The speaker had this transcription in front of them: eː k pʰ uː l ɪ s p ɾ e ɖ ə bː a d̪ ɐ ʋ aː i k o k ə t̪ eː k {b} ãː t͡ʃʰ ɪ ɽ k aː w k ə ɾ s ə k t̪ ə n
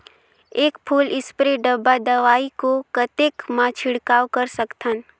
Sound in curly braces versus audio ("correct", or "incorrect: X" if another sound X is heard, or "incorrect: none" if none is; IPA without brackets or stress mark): incorrect: m